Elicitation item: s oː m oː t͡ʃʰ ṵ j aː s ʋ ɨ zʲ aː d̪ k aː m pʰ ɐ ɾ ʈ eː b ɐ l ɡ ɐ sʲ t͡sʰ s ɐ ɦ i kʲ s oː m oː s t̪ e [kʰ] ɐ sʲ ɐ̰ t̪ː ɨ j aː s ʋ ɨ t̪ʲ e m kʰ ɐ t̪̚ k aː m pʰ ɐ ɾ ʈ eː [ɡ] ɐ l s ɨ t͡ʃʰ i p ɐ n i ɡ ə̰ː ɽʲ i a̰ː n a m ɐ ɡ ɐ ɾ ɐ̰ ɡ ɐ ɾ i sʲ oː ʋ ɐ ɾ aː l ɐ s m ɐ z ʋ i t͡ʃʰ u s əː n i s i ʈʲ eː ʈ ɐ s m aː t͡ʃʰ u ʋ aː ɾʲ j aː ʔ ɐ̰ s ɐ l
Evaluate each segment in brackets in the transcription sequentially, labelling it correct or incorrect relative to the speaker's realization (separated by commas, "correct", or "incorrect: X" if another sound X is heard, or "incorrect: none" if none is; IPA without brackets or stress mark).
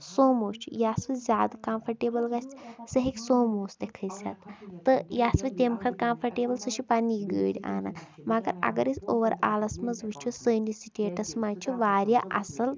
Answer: correct, incorrect: b